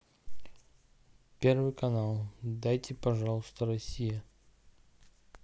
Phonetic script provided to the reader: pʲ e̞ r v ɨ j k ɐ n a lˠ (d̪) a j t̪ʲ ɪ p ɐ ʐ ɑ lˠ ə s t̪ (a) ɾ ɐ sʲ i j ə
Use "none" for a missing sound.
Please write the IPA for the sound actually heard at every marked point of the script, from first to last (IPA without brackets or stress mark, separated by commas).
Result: d̪, ə